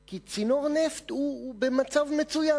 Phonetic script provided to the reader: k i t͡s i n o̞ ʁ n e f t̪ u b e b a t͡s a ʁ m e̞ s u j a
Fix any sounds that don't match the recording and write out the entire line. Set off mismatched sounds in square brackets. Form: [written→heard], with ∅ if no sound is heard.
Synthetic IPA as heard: k i t͡s i n o̞ ʁ n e f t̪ u b e [b→m] a t͡s a [ʁ→v] m e̞ [s→t͡s] u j a